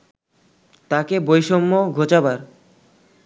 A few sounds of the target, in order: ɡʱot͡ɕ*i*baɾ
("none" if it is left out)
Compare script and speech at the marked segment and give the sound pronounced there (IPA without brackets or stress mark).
a